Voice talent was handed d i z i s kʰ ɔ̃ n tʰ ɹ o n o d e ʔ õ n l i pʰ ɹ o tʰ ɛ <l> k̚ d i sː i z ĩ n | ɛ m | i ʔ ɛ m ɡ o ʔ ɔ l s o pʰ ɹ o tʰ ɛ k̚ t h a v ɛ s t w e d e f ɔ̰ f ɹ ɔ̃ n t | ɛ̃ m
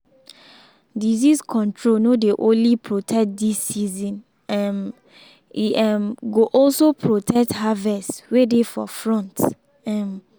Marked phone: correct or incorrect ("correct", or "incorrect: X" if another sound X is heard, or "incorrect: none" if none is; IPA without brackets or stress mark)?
incorrect: none